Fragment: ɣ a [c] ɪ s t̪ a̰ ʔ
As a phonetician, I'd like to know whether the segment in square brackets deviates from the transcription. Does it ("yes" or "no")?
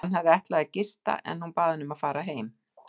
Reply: no